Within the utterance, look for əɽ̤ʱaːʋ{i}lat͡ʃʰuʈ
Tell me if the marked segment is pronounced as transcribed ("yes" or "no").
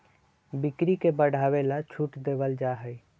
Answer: no